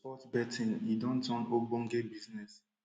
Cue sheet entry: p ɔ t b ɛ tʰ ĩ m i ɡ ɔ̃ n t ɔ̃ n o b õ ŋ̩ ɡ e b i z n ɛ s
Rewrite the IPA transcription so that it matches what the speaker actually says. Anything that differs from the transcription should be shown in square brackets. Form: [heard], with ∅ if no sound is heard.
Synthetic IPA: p ɔ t b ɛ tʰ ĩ [n] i [d] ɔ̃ n t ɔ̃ n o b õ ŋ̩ ɡ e b i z n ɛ s